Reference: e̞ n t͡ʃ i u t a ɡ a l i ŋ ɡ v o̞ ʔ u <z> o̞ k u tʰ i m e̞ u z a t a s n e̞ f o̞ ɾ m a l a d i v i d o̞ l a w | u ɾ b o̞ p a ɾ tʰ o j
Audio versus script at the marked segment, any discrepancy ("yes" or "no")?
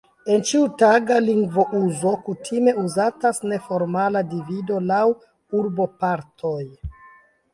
no